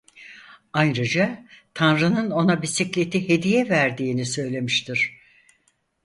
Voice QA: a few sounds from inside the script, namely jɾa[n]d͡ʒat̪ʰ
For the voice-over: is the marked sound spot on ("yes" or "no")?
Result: no